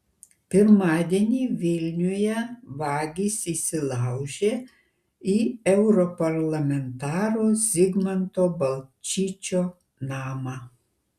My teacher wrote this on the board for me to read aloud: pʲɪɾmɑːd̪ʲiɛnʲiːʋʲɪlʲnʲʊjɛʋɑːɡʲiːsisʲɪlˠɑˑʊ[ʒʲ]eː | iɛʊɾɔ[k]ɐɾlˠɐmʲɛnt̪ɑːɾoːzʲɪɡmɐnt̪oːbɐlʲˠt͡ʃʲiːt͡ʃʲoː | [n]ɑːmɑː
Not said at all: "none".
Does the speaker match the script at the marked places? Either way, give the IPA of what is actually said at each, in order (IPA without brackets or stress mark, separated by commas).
ʒʲ, p, n